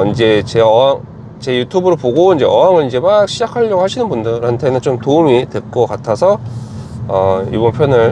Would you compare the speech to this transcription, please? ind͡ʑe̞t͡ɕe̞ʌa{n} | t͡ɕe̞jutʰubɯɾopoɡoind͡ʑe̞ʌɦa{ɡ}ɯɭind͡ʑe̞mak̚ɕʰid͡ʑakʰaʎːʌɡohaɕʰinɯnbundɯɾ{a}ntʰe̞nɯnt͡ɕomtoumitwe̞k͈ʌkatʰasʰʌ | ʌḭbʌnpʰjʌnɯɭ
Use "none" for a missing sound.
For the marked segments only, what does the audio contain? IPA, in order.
ŋ, ŋ, a

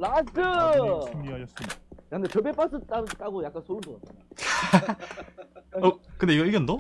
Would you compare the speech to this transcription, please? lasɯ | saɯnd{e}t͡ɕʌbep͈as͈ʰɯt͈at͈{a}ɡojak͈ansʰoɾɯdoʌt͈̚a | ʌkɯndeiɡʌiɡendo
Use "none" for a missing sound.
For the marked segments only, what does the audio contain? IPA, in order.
e, a

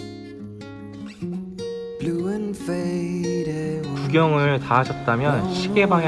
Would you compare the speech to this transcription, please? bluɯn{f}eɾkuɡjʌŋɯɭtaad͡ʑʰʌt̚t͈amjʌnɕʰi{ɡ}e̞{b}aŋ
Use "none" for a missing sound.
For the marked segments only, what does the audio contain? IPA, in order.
f, ɡ, b

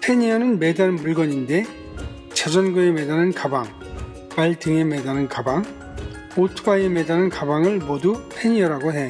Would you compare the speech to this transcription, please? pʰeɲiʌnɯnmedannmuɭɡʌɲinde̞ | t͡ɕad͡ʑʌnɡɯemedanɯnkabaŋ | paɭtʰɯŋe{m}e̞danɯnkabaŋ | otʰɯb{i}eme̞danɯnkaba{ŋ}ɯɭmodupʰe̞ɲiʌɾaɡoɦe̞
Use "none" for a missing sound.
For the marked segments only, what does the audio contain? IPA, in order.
m, a, ŋ

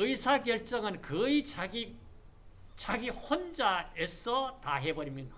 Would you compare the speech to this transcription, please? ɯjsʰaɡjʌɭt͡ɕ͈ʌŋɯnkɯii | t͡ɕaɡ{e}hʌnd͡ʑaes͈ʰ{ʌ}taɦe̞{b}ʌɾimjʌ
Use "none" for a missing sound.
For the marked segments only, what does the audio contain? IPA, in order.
i, ʌ, b

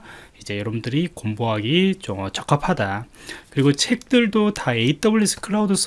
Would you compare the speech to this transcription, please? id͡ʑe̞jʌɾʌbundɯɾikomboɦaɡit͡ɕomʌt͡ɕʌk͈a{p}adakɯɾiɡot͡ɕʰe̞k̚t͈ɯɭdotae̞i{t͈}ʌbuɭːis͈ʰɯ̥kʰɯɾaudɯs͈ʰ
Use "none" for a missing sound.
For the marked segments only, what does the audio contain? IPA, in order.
pʰ, t͈

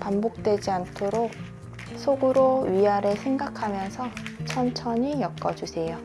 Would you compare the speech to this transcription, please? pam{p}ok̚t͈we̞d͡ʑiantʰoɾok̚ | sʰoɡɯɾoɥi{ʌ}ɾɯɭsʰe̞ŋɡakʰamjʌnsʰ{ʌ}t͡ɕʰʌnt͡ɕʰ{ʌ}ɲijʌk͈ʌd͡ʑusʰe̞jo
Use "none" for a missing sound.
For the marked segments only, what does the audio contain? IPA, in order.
b, a, ʌ, ʌ

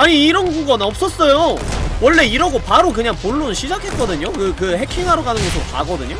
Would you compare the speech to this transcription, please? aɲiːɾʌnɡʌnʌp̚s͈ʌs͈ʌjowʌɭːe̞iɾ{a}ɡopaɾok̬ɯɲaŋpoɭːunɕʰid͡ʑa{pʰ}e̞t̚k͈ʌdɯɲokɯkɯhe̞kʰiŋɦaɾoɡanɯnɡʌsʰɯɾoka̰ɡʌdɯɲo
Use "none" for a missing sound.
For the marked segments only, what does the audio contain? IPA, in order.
ʌ, kʰ

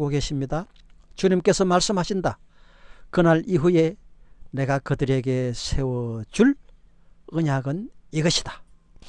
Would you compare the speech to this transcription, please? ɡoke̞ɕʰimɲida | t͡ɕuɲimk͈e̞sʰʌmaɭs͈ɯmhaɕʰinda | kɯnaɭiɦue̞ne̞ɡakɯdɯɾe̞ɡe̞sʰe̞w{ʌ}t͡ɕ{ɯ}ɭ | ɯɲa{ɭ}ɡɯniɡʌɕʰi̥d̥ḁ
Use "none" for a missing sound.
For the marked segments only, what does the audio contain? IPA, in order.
ʌ, u, none

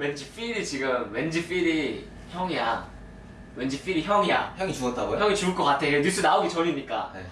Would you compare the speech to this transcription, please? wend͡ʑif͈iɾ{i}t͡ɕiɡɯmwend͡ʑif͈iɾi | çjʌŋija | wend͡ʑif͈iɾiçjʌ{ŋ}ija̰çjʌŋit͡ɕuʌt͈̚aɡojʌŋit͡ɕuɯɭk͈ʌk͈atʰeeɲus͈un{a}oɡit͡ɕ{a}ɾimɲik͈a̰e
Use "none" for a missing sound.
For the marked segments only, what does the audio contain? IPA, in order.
i, ŋ, a, ʌ

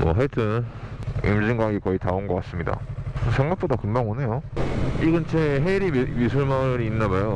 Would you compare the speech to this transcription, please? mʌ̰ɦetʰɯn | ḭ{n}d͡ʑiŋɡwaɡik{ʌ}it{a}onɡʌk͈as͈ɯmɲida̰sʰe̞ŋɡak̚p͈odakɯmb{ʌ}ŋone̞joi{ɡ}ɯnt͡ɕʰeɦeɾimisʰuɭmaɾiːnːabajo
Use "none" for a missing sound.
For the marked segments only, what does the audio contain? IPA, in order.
m, ʌ, a, a, ɡ

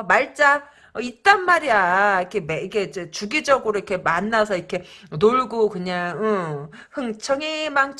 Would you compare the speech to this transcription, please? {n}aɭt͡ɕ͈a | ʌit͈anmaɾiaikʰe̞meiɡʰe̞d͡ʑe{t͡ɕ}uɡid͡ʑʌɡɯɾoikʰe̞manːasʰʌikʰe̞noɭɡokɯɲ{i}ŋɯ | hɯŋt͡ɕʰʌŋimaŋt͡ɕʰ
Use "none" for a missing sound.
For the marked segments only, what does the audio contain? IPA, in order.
m, t͡ɕ, a

